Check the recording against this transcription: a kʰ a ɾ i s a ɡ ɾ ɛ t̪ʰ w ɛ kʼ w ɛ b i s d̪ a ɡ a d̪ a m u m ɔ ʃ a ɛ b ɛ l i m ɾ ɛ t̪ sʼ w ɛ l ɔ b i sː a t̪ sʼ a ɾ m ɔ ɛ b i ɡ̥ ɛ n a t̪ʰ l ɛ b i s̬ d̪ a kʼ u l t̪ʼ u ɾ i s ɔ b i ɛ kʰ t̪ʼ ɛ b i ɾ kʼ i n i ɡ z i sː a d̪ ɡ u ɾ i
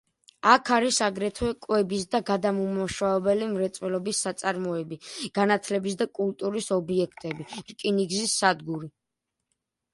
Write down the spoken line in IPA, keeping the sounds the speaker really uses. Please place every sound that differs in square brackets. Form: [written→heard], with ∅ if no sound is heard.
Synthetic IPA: a kʰ a ɾ i s a ɡ ɾ ɛ t̪ʰ w ɛ kʼ w ɛ b i s d̪ a ɡ a d̪ a m u m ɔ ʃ a ɛ b ɛ l i m ɾ ɛ t̪ sʼ w ɛ l ɔ b i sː a t̪ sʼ a ɾ m ɔ ɛ b i ɡ̥ [ɛ→a] n a t̪ʰ l ɛ b i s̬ d̪ a kʼ u l t̪ʼ u ɾ i s ɔ b i ɛ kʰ t̪ʼ ɛ b i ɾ kʼ i n i ɡ z i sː a d̪ ɡ u ɾ i